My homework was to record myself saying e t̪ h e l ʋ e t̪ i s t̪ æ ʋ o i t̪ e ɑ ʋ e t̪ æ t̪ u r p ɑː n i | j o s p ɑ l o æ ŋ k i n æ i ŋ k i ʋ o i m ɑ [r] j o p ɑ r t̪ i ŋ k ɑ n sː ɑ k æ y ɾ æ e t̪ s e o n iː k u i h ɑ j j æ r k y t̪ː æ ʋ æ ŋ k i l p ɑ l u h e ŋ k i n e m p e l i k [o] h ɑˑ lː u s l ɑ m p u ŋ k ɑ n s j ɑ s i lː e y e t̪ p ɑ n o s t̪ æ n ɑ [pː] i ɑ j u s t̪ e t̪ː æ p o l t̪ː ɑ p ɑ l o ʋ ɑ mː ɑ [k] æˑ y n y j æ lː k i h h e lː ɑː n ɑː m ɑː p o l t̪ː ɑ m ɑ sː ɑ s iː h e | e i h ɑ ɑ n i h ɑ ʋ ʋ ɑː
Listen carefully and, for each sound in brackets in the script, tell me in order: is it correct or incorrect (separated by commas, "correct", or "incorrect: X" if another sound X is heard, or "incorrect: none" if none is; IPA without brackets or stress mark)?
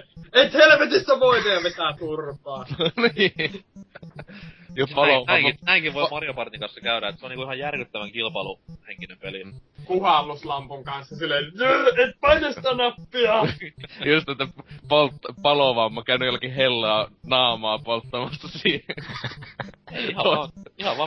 correct, incorrect: u, correct, correct